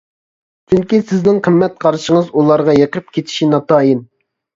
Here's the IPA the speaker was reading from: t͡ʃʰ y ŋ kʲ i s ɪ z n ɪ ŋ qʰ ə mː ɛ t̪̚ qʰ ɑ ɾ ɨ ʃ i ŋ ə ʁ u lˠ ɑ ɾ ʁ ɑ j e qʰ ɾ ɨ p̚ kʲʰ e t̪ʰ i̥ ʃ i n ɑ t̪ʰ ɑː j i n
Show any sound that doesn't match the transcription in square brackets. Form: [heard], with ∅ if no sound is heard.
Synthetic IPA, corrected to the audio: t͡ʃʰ y ŋ kʲ i s ɪ z n ɪ ŋ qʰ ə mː ɛ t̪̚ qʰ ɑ ɾ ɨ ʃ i ŋ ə [z] u lˠ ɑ ɾ ʁ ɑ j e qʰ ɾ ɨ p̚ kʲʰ e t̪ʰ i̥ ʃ i n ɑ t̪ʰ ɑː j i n